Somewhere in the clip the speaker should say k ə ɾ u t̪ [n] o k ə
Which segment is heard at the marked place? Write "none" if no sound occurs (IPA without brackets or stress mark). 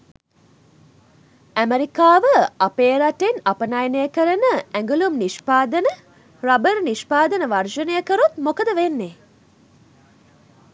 m